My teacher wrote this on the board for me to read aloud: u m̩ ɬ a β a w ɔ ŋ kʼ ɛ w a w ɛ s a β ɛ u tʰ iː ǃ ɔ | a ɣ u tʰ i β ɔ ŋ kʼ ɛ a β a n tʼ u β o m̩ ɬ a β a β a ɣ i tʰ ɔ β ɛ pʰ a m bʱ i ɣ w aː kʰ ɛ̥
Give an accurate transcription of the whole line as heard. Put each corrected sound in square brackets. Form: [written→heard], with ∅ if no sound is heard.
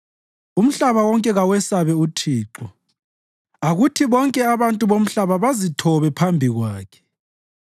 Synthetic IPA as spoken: u m̩ ɬ a β a w ɔ ŋ kʼ ɛ [w→ɣ] a w ɛ s a β ɛ u tʰ iː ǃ ɔ | a ɣ u tʰ i β ɔ ŋ kʼ ɛ a β a n tʼ u β o m̩ ɬ a β a β a [ɣ→z] i tʰ ɔ β ɛ pʰ a m bʱ i ɣ w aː kʰ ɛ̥